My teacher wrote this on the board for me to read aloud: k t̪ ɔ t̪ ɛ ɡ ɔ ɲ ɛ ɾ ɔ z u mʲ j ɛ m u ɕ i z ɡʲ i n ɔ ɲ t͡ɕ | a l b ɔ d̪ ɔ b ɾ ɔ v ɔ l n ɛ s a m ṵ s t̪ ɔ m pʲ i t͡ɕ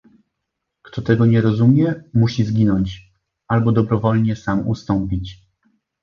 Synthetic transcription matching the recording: k t̪ ɔ t̪ ɛ ɡ ɔ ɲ ɛ ɾ ɔ z u mʲ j ɛ m u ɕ i z ɡʲ i n ɔ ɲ t͡ɕ | a l b ɔ d̪ ɔ b ɾ ɔ v ɔ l ɲ ɛ s a m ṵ s t̪ ɔ m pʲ i t͡ɕ